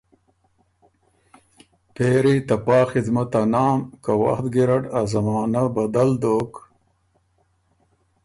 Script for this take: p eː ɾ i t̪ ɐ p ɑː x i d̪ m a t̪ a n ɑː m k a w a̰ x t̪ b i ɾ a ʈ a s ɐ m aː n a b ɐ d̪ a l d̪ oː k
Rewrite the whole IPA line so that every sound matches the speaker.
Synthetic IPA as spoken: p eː ɾ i t̪ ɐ p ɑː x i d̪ m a t̪ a n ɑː m k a w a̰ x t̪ ɡ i ɾ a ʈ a z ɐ m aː n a b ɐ d̪ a l d̪ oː k